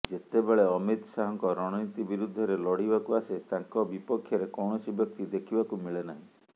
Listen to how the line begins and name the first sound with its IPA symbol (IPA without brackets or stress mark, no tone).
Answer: d͡ʒ